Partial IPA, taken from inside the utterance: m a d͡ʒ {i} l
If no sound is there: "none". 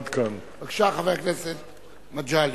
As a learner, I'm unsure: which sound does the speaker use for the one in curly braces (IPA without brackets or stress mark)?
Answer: a